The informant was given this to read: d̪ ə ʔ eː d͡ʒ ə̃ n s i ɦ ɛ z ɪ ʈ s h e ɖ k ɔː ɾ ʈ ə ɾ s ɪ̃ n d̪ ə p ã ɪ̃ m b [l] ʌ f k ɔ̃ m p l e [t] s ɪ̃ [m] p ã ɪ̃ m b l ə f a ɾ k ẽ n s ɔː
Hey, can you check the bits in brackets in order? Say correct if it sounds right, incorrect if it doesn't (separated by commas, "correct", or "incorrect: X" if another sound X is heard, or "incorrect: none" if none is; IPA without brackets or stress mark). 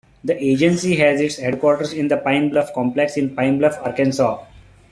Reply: correct, incorrect: k, incorrect: n